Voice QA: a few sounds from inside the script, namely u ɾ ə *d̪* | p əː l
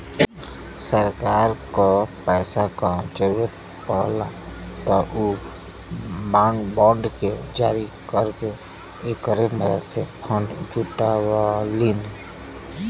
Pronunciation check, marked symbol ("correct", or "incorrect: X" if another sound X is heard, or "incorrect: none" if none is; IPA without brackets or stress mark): incorrect: t̪